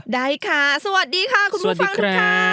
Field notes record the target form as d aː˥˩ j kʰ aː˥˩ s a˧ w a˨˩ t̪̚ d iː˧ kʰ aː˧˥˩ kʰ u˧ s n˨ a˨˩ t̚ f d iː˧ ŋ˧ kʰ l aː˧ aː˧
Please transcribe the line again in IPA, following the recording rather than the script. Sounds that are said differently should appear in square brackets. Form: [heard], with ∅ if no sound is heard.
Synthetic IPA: d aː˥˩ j kʰ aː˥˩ s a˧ w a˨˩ t̪̚ d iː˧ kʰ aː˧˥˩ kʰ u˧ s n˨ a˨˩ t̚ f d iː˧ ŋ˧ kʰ [ɾ] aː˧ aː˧